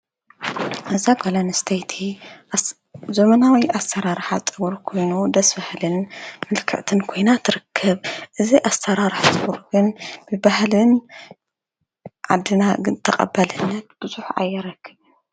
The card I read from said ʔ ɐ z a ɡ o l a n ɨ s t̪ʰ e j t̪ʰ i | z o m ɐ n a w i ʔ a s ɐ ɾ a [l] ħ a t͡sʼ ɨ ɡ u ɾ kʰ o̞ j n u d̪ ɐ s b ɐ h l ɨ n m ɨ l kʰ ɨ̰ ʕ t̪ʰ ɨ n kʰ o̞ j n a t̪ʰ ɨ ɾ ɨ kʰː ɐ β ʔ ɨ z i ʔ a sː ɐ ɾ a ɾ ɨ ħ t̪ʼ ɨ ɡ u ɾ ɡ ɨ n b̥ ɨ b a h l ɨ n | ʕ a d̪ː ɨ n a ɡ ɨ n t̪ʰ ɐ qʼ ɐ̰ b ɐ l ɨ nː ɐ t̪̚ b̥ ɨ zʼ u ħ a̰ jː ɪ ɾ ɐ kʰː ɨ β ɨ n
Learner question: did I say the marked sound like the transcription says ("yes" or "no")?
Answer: no